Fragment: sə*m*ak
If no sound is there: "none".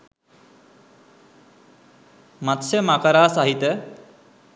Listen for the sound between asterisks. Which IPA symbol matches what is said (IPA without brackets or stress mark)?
m